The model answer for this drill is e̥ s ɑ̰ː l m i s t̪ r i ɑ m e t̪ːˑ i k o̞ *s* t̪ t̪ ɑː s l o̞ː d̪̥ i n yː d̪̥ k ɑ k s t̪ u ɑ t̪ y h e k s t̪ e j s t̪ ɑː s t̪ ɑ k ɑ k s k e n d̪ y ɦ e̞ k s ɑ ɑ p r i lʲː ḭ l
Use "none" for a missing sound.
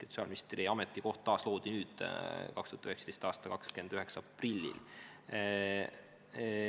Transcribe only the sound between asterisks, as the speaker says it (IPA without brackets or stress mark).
h